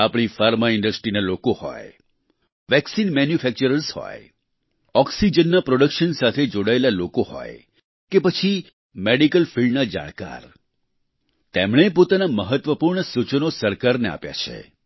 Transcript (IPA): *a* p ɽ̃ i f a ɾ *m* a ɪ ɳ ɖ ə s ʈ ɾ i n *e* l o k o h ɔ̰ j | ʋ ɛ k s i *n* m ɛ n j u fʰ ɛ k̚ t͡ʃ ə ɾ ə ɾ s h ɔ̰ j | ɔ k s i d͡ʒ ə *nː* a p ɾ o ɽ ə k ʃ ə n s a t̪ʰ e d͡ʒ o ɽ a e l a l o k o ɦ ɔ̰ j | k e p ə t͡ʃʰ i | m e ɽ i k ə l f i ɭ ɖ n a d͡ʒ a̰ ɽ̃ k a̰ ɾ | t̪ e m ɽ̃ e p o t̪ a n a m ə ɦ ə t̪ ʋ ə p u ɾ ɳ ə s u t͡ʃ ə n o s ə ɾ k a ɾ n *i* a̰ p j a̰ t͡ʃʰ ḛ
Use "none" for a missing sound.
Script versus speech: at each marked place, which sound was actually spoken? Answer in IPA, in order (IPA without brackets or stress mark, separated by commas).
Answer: a, m, a, n, nː, e